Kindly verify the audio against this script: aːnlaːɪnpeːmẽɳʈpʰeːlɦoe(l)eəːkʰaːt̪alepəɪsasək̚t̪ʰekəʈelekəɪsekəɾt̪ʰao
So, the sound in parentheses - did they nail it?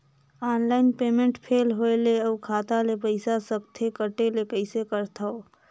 yes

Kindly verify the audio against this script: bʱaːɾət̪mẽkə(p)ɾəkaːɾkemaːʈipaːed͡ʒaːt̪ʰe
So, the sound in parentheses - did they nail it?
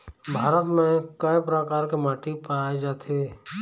yes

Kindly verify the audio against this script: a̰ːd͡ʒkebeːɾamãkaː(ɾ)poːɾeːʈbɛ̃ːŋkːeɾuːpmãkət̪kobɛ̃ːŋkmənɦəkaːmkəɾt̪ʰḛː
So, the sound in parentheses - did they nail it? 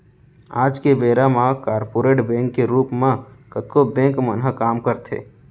yes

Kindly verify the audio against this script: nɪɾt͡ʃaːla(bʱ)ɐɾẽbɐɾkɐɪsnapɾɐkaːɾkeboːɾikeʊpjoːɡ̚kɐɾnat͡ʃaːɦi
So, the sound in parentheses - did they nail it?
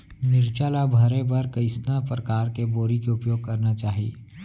yes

